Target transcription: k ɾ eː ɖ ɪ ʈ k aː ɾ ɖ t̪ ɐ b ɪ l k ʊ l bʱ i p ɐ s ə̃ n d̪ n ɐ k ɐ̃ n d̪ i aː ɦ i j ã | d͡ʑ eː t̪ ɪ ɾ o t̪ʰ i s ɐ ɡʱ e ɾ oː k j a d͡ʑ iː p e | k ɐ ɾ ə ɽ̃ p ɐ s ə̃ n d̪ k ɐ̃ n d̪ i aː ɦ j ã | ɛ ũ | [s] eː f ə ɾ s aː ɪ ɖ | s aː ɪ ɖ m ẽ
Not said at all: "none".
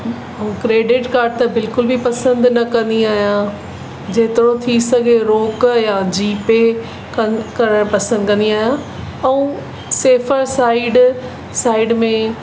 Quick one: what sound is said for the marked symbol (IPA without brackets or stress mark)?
s